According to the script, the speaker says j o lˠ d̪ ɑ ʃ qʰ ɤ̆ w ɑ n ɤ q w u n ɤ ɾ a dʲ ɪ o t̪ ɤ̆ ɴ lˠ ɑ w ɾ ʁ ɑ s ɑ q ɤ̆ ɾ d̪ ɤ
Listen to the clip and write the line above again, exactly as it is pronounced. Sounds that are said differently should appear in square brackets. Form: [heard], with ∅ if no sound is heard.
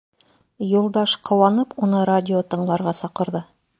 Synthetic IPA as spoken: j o lˠ d̪ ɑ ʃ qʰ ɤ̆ w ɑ n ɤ [p] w [o] n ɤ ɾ a dʲ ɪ o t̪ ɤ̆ ɴ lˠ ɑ [∅] ɾ ʁ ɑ s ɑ q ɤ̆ ɾ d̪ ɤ

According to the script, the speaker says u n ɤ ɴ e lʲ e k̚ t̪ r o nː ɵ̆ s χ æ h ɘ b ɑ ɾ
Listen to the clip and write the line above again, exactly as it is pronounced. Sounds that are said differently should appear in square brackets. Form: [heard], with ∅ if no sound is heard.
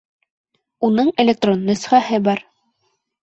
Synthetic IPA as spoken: u n ɤ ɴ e lʲ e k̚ t̪ r o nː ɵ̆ s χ æ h ɘ b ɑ ɾ

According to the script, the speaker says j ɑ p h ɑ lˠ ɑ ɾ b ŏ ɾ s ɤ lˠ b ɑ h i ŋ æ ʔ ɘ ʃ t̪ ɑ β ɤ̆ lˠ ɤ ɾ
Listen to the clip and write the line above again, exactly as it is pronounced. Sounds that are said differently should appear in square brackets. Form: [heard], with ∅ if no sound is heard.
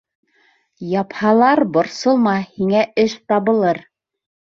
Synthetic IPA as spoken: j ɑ p h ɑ lˠ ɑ ɾ b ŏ ɾ s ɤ lˠ [m] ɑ h i ŋ æ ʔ ɘ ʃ t̪ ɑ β ɤ̆ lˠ ɤ ɾ

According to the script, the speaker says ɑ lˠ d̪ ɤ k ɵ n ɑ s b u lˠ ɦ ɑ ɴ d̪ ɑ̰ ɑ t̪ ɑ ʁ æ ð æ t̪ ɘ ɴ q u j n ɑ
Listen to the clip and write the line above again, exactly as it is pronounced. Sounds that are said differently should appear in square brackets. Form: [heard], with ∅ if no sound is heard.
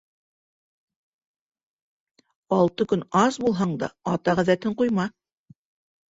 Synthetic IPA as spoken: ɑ lˠ [t̪] ɤ k ɵ n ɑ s b u lˠ ɦ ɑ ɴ d̪ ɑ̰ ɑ t̪ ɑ ʁ æ ð æ t̪ ɘ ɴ q u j [m] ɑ

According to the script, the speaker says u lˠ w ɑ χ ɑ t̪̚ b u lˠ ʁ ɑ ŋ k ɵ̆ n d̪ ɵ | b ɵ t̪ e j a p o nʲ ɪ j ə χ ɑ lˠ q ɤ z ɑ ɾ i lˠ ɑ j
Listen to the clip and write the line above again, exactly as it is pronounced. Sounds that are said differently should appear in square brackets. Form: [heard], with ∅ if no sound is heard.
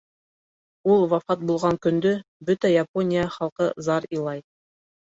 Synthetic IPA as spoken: u lˠ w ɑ [f] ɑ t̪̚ b u lˠ ʁ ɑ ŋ k ɵ̆ n d̪ ɵ | b ɵ t̪ [æ] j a p o nʲ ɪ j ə χ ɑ lˠ q ɤ z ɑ ɾ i lˠ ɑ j

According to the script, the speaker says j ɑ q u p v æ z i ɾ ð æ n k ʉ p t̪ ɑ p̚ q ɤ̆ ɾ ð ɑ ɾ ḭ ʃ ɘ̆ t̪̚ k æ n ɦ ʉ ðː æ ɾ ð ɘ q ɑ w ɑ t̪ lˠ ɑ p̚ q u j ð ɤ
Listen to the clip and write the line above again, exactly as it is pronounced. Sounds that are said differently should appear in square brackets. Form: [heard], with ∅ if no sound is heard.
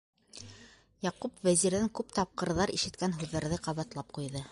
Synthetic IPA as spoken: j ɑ q u p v æ z i ɾ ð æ [ŋ] k ʉ p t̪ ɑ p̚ q ɤ̆ ɾ ð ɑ ɾ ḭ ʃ ɘ̆ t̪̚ k æ n ɦ ʉ ðː æ ɾ ð ɘ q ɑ [β] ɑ t̪ lˠ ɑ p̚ q u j ð ɤ

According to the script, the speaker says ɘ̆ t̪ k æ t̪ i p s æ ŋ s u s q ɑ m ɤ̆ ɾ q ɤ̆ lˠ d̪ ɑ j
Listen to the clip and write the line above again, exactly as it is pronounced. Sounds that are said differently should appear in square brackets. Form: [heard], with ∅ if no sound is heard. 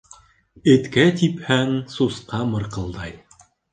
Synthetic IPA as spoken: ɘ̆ t̪ k æ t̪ i p [h] æ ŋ s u s q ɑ m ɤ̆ ɾ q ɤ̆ lˠ d̪ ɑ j

